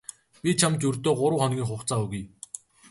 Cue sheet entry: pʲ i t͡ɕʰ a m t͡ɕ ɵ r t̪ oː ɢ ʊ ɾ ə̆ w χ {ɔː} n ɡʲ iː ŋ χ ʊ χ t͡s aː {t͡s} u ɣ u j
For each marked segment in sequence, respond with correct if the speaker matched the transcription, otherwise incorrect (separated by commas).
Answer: incorrect, incorrect